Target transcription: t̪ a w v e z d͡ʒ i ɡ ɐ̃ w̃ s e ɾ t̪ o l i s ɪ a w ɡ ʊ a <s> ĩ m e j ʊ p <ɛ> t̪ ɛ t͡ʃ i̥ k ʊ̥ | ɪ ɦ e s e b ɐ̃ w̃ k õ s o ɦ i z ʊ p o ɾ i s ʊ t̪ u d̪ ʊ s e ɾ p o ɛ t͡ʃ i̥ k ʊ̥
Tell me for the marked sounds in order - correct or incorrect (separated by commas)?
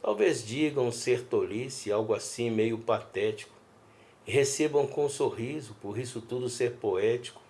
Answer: correct, incorrect